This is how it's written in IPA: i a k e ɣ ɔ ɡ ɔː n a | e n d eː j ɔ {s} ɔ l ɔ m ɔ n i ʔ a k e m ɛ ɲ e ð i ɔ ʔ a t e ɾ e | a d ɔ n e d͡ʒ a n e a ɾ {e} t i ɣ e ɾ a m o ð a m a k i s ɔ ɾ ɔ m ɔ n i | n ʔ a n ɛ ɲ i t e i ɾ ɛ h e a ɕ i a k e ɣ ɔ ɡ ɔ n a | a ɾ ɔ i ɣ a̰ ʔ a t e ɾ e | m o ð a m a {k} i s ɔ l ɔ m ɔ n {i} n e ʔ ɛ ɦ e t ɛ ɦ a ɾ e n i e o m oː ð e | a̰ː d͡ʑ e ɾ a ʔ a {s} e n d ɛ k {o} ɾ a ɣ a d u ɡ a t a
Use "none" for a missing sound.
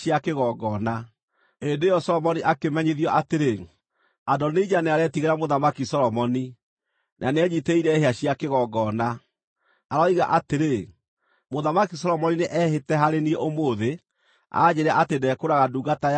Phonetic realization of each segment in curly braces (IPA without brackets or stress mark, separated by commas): s, ɛ, k, i, t, o